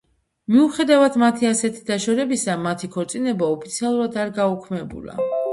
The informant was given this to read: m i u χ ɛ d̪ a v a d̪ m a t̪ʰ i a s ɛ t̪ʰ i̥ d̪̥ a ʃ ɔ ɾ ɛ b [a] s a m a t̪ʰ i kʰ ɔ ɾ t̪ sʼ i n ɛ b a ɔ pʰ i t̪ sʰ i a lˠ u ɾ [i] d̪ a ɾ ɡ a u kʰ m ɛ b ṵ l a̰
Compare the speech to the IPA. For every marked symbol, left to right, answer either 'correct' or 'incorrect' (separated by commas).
incorrect, incorrect